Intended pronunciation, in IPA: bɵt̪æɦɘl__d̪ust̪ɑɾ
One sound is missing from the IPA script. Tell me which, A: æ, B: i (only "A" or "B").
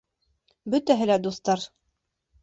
A